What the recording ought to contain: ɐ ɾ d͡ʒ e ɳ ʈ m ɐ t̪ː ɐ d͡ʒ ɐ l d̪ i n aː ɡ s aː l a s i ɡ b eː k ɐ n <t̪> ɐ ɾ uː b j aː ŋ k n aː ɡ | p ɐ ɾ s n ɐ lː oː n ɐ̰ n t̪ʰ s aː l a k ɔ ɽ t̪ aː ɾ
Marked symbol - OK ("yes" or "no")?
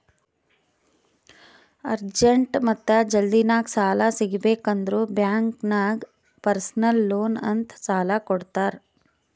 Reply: no